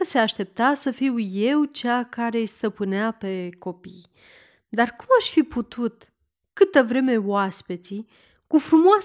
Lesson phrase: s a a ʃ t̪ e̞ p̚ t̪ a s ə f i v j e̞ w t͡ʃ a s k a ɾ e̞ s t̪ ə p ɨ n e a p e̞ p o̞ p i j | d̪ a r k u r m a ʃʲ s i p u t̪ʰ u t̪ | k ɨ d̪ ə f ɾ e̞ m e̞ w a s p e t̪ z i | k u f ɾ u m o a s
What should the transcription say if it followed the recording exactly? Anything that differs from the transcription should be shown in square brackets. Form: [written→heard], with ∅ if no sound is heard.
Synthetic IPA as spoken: s [a→e] a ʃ t̪ e̞ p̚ t̪ a s ə f i [v→w] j e̞ w t͡ʃ a [s→∅] k a ɾ e̞ s t̪ ə p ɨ n e a p e̞ [p→k] o̞ p i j | d̪ a r k u [r→∅] m a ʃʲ [s→f] i p u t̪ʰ u t̪ | k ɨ [d̪→t̪] ə [f→v] ɾ e̞ m e̞ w a s p e t̪ [z→s] i | k u f ɾ u m o a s